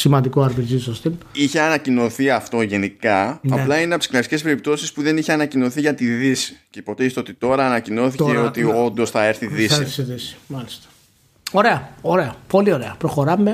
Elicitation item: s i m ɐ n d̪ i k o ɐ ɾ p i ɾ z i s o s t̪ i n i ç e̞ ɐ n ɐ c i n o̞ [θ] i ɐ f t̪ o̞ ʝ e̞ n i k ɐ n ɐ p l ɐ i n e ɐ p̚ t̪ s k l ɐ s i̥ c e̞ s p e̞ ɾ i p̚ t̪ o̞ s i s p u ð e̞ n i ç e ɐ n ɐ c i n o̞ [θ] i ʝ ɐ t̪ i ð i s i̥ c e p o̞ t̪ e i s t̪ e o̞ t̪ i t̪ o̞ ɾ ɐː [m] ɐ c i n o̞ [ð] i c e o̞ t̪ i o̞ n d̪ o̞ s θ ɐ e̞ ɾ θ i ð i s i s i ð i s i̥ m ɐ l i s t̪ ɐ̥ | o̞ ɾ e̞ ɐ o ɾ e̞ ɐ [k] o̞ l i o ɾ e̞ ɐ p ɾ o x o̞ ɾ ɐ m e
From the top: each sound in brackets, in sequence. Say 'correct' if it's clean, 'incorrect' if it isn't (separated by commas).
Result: correct, correct, incorrect, incorrect, incorrect